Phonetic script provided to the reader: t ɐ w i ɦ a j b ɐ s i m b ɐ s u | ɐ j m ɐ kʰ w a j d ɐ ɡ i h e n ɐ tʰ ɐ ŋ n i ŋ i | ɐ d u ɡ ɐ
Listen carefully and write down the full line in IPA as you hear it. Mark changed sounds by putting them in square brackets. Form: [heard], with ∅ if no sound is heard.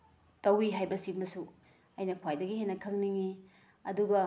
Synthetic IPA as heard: t ɐ w i ɦ a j b ɐ s i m b ɐ s u | ɐ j [n] ɐ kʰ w a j d ɐ ɡ i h e n ɐ [kʰ] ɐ ŋ n i ŋ i | ɐ d u ɡ ɐ